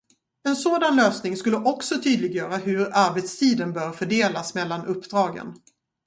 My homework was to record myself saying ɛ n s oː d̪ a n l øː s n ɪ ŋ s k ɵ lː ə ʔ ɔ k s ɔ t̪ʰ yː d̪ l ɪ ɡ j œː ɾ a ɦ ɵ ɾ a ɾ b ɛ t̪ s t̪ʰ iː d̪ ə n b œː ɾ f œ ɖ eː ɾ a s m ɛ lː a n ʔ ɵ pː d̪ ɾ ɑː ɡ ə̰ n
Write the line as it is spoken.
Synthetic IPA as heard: ɛ n s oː d̪ a n l øː s n ɪ ŋ s k ɵ lː ə ʔ ɔ k s ɔ t̪ʰ yː d̪ l ɪ ɡ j œː ɾ a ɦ ɵ ɾ a ɾ b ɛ t̪ s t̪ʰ iː d̪ ə n b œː ɾ f œ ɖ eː l a s m ɛ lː a n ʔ ɵ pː d̪ ɾ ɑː ɡ ə̰ n